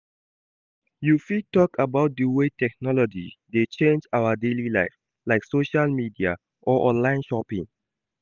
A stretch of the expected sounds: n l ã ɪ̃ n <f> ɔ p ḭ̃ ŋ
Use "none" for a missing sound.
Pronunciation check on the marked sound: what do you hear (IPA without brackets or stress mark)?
ʃ